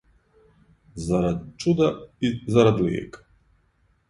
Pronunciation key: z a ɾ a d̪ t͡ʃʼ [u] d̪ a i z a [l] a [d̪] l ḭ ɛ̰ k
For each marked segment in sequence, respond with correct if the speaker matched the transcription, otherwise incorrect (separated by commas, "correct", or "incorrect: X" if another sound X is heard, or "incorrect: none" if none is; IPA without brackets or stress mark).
correct, incorrect: ɾ, correct